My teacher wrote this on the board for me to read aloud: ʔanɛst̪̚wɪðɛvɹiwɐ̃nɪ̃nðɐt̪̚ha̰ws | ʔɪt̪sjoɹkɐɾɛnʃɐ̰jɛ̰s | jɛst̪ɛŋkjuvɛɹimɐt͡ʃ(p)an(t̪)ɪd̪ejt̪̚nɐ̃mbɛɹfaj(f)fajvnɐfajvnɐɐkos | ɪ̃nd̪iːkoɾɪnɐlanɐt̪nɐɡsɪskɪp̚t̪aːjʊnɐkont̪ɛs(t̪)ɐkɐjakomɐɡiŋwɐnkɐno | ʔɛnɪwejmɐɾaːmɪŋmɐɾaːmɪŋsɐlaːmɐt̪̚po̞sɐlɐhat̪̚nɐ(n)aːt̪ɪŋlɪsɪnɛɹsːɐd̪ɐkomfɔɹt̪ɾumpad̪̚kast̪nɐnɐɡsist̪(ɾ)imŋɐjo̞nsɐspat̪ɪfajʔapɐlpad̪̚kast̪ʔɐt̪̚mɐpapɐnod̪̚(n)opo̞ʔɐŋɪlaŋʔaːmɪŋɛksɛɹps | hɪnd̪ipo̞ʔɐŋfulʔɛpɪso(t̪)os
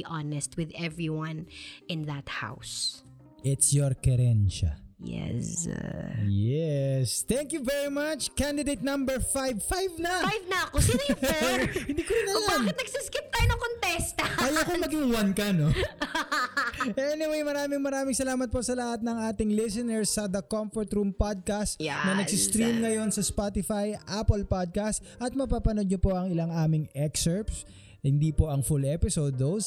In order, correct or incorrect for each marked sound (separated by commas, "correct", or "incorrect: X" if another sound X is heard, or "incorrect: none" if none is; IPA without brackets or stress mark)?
incorrect: k, incorrect: d̪, incorrect: v, correct, incorrect: ŋ, correct, incorrect: ɲ, incorrect: d̪